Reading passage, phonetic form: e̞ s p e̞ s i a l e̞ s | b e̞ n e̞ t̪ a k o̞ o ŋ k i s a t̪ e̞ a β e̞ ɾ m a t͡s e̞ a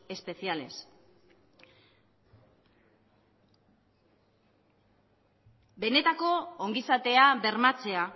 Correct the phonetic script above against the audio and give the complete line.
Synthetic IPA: e̞ s p e̞ s i a l e̞ s | b e̞ n e̞ t̪ a k o̞ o ŋ ɡ i s a t̪ e̞ a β e̞ ɾ m a t͡s e̞ a